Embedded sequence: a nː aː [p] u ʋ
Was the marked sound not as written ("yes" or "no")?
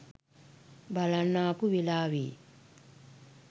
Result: no